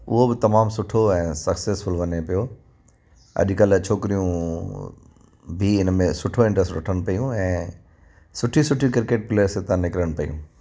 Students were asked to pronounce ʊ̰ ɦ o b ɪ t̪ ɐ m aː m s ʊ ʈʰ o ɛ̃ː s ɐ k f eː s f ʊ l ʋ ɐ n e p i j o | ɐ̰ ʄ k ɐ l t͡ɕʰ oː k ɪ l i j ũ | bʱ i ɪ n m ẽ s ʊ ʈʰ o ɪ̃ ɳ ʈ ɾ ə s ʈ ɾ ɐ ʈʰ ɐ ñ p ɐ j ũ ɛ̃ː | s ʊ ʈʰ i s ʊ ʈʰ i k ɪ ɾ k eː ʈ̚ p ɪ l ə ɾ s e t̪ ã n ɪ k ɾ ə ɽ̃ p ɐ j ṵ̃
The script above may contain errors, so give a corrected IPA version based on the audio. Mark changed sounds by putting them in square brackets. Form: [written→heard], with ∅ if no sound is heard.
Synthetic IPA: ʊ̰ ɦ o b ɪ t̪ ɐ m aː m s ʊ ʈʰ o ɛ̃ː s ɐ k [f→s] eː s f ʊ l ʋ ɐ n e p i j o | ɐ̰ ʄ k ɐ l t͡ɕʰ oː k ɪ [l→ɾ] i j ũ | bʱ i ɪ n m ẽ s ʊ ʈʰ o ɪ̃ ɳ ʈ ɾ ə s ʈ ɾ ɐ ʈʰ [ɐ→ə] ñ p ɐ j ũ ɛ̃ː | s ʊ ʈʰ i s ʊ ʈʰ i k ɪ ɾ k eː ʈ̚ p ɪ l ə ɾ s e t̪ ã n ɪ k ɾ ə ɽ̃ p ɐ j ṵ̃